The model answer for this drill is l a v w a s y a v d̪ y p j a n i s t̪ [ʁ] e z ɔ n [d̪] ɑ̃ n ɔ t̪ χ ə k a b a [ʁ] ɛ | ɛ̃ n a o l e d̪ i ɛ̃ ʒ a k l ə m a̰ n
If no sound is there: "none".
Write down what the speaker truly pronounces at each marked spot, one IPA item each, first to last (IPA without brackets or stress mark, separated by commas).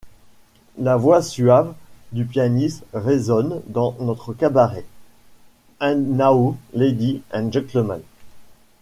ʁ, d̪, ʁ